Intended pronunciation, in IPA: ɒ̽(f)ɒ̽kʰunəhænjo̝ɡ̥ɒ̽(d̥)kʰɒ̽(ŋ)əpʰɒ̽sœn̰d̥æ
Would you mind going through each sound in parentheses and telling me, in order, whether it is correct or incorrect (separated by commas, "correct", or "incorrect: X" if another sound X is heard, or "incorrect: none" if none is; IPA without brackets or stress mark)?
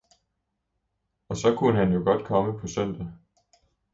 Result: incorrect: s, correct, incorrect: m